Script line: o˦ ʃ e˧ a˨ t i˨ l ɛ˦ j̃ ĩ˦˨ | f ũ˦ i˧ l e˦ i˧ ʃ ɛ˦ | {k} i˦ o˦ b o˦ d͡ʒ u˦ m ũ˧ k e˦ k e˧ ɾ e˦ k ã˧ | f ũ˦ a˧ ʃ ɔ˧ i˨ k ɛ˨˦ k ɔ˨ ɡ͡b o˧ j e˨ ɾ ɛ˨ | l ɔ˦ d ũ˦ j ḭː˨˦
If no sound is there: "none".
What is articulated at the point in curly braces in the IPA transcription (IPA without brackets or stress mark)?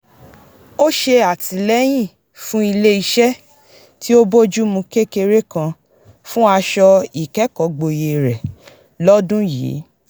t